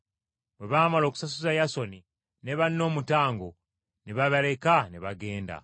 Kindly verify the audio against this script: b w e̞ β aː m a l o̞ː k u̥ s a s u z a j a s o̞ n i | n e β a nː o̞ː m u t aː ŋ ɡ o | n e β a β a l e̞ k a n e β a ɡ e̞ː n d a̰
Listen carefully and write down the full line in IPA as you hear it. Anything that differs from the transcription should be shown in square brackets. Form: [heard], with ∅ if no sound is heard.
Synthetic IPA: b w e̞ β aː m a l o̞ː k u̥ s a s u z a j a s o̞ n i | n e β a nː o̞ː m u t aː ŋ ɡ o | n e β a β a l e̞ k a n e β a ɡ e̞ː n d a̰